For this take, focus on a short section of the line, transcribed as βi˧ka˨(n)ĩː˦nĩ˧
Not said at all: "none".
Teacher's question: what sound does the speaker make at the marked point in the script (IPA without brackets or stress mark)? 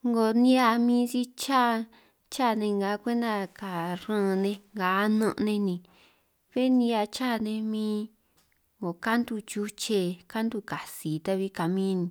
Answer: m